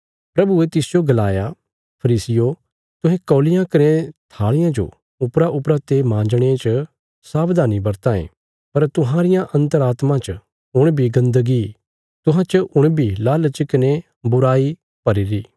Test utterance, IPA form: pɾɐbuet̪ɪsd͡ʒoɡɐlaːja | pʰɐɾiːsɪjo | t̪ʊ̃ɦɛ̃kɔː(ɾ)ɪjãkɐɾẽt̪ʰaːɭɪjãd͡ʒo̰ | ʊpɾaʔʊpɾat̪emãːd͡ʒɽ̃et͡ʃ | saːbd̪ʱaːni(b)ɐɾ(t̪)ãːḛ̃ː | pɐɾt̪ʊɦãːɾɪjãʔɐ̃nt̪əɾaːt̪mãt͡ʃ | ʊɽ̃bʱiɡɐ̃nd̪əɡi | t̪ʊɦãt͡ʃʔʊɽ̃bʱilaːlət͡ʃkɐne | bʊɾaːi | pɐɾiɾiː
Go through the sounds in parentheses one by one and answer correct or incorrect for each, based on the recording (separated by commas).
incorrect, correct, correct